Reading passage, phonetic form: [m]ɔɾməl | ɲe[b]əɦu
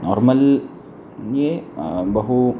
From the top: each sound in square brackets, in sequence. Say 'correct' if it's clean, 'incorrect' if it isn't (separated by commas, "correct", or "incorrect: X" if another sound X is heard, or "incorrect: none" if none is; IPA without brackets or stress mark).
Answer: incorrect: n, correct